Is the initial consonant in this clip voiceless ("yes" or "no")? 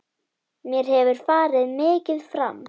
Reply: no